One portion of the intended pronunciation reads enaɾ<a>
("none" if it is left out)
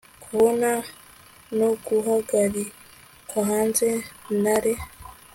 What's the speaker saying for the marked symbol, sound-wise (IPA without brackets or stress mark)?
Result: e